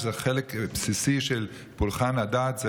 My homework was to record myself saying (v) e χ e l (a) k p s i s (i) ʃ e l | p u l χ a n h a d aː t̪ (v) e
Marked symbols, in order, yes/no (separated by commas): no, no, yes, no